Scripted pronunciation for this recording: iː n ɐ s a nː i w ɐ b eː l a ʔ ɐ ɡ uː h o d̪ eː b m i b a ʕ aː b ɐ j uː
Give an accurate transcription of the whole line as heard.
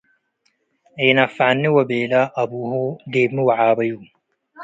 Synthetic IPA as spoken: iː n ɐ f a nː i w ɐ b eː l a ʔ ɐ b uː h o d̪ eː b m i w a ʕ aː b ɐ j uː